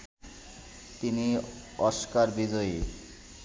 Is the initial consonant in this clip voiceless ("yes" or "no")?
yes